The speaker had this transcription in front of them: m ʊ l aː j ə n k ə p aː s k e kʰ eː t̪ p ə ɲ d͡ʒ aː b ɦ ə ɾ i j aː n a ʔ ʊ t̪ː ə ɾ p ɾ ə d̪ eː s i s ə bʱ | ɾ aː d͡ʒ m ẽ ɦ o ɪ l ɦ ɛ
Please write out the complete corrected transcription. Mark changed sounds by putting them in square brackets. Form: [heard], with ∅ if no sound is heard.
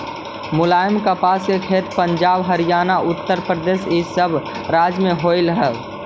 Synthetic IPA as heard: m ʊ l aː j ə [m] k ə p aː s k e kʰ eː t̪ p ə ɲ d͡ʒ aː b ɦ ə ɾ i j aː n a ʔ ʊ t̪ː ə ɾ p ɾ ə d̪ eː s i s ə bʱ | ɾ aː d͡ʒ m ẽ ɦ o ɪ l ɦ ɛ